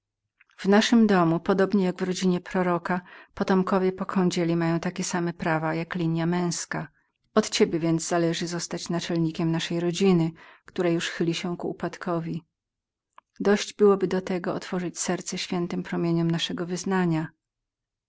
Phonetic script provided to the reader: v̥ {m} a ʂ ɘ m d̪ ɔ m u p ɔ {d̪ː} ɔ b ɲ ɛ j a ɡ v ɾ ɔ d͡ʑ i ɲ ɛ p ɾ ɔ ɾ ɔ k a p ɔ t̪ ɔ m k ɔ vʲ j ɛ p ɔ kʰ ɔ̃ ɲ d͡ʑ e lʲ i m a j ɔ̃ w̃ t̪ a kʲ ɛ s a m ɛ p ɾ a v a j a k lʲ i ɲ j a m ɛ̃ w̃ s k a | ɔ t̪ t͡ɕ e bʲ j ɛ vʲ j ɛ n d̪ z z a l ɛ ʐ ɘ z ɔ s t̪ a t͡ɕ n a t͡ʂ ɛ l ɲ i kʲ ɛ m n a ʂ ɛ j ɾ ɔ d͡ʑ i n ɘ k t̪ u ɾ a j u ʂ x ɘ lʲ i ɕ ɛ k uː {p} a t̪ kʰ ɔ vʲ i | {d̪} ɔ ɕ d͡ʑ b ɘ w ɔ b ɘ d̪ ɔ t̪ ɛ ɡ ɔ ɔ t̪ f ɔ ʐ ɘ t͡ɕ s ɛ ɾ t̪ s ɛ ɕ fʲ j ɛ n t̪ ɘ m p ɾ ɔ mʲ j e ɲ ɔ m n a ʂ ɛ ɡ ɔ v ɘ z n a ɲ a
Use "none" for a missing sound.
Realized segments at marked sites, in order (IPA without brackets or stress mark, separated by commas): n, d̪, p, d̪